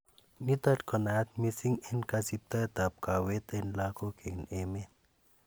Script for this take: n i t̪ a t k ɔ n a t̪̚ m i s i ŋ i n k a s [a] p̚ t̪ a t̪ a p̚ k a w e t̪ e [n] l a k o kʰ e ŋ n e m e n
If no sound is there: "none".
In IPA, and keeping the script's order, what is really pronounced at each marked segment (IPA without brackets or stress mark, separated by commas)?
i, n